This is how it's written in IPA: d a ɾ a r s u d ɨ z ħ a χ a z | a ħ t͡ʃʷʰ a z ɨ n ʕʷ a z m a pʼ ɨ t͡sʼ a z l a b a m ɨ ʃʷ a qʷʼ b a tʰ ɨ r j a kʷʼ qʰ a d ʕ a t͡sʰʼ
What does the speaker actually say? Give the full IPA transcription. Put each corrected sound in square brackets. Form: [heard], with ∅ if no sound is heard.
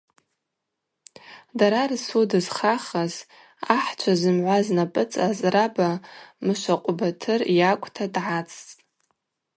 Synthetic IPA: d a ɾ a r s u d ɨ z [χ] a χ a z | a ħ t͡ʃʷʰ a z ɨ [m] ʕʷ a z [n] a pʼ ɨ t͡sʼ a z [r] a b a m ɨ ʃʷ a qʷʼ b a tʰ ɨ r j a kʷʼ [tʰ] a d ʕ a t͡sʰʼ